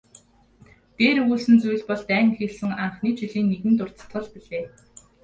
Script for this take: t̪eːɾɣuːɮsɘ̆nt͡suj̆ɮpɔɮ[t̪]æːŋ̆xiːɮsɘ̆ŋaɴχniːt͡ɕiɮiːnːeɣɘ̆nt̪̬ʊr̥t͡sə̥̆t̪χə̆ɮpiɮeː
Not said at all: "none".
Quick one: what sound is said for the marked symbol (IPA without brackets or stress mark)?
t̪